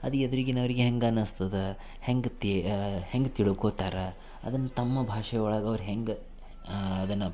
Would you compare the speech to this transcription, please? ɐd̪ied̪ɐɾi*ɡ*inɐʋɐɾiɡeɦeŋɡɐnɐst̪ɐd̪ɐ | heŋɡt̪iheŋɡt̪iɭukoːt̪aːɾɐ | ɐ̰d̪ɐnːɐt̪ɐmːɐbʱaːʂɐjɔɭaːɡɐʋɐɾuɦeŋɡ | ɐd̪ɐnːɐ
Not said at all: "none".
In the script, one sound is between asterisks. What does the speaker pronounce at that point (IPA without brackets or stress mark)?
ɡ